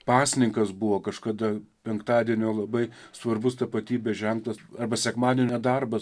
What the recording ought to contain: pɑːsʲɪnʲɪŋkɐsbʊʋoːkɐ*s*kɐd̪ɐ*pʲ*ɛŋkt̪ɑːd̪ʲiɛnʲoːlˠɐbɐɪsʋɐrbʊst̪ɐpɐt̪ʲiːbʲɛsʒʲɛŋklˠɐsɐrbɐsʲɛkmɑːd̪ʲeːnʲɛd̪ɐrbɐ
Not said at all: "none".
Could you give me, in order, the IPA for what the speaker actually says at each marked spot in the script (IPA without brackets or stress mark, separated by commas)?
ʃ, pʲ